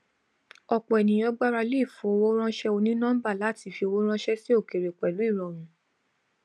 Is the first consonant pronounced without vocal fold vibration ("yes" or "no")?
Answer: yes